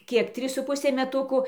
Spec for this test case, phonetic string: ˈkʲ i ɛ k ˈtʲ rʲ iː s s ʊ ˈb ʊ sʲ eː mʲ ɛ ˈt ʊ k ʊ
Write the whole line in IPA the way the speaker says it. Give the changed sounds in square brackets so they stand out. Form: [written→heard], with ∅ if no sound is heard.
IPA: ˈkʲ i ɛ k ˈtʲ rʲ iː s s ʊ [ˈb→ˈp] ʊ sʲ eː mʲ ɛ ˈt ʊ k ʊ